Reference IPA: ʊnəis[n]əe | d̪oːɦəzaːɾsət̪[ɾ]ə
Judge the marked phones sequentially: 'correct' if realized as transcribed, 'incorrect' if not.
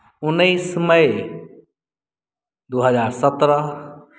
incorrect, correct

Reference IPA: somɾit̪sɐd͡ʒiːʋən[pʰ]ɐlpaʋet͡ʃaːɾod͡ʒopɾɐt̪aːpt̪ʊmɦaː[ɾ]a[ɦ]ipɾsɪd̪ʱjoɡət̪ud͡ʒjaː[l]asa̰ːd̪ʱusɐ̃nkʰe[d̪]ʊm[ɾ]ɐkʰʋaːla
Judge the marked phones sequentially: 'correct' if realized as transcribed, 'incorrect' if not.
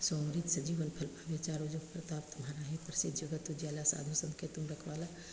correct, correct, correct, correct, incorrect, correct

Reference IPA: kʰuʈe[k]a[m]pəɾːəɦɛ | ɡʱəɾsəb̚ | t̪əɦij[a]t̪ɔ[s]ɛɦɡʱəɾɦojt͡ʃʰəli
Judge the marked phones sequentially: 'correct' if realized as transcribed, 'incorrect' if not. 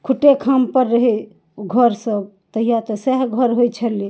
incorrect, correct, correct, correct

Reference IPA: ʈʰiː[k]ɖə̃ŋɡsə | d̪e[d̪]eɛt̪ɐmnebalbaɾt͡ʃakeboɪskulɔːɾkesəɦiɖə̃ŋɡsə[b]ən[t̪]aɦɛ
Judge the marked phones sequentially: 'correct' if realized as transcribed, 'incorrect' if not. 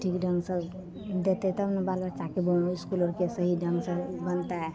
correct, incorrect, correct, correct

